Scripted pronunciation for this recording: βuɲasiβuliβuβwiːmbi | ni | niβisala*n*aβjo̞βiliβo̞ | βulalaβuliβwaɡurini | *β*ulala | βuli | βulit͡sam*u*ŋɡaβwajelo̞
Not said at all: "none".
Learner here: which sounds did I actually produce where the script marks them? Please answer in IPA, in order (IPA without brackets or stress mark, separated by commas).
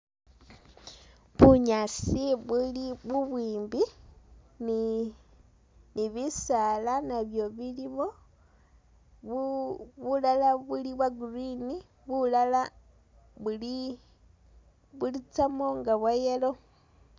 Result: n, β, o